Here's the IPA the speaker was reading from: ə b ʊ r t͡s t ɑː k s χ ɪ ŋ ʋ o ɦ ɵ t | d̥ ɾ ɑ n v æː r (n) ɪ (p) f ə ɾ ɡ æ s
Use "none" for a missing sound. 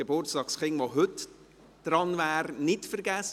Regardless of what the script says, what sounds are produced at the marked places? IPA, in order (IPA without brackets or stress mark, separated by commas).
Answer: n, t